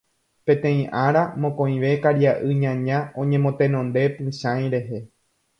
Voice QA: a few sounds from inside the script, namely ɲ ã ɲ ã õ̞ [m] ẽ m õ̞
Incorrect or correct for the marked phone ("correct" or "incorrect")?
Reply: incorrect